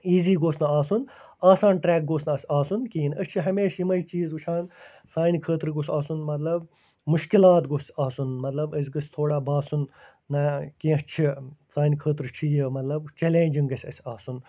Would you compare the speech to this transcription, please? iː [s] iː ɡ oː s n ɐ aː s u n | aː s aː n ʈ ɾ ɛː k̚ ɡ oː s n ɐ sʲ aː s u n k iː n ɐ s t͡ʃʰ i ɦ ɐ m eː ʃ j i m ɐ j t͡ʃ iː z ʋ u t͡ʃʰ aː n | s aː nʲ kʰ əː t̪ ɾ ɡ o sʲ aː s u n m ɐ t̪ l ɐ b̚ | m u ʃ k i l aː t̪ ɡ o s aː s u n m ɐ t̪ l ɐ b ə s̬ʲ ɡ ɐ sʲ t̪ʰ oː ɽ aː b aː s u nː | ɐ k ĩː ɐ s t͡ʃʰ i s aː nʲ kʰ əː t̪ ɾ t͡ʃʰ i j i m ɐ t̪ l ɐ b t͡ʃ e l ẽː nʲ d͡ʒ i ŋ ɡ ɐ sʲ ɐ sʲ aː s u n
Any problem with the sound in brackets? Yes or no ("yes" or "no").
yes